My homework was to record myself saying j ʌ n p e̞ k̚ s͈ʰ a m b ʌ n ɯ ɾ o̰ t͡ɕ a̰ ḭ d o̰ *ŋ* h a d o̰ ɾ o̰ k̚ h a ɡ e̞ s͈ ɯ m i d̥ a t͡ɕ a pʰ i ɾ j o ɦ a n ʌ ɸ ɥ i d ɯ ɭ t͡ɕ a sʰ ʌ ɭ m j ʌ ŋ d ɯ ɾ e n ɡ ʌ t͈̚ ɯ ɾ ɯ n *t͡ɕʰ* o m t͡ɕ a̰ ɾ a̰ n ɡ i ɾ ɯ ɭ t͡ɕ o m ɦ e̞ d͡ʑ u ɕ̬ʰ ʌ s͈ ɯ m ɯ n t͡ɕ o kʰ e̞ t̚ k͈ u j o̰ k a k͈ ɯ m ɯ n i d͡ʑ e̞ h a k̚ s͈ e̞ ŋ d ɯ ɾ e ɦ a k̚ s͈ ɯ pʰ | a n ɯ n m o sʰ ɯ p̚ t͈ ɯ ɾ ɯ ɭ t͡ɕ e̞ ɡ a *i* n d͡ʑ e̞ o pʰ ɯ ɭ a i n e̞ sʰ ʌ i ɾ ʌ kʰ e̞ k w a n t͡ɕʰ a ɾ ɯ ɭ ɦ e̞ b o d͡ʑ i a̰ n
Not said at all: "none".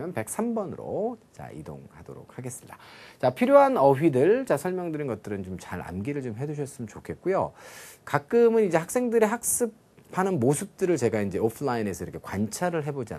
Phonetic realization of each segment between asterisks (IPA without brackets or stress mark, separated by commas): ŋ, t͡ɕ, i